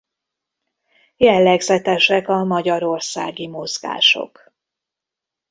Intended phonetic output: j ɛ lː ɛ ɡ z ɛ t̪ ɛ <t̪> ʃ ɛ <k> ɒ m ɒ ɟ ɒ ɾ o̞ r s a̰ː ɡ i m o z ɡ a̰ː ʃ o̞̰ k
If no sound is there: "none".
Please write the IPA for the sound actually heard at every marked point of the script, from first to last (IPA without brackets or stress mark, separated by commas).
none, k